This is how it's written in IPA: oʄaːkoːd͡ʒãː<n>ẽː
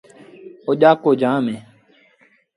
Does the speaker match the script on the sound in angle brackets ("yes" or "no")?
no